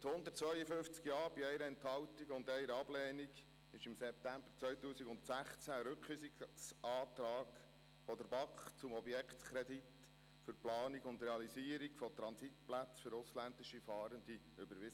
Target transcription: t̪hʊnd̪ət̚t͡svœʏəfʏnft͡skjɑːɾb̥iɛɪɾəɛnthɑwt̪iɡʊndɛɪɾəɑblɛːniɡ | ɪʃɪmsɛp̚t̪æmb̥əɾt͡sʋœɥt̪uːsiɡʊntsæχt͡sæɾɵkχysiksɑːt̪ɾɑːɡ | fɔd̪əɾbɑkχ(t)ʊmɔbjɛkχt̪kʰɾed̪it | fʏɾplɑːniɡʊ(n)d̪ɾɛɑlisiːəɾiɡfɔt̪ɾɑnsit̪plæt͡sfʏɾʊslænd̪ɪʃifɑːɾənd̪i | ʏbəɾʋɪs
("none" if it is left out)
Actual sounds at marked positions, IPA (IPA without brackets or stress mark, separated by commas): t͡s, n